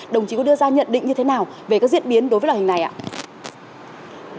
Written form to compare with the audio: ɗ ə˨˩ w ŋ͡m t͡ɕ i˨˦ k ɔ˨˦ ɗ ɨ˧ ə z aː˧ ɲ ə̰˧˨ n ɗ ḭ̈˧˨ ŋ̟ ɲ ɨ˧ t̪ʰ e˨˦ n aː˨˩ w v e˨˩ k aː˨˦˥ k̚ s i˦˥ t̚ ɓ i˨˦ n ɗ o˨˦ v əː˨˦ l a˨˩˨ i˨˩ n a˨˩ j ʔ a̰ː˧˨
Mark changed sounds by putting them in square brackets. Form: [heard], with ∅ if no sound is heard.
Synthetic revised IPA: ɗ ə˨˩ w ŋ͡m t͡ɕ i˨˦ k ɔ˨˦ ɗ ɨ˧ ə z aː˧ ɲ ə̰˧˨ n ɗ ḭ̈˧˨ ŋ̟ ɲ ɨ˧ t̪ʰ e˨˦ n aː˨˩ w v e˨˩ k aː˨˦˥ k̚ [z] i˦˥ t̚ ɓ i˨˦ n ɗ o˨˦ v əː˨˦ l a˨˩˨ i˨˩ n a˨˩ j ʔ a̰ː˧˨